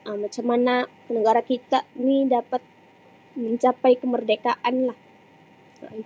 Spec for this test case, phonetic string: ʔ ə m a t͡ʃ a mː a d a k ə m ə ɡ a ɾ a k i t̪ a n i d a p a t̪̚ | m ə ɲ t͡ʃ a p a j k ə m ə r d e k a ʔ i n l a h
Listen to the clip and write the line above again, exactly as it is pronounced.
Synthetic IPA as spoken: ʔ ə m a t͡ʃ a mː a n a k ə n ə ɡ a ɾ a k i t̪ a n i d a p a t̪̚ | m ə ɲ t͡ʃ a p a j k ə m ə r d e k a ʔ a n l a h